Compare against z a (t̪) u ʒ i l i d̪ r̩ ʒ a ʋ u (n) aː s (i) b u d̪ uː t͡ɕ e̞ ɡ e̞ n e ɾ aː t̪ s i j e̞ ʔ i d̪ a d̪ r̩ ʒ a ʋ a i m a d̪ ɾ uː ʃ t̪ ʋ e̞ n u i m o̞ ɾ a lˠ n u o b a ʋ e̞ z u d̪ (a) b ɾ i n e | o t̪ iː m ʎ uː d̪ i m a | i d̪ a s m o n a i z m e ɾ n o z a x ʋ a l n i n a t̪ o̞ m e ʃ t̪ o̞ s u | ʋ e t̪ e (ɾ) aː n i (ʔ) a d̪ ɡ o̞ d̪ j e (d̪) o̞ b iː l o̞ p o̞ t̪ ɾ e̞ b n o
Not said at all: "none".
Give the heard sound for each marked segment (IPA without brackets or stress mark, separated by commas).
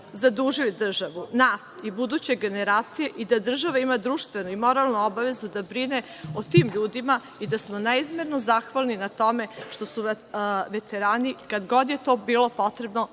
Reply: d̪, n, i, a, ɾ, k, t̪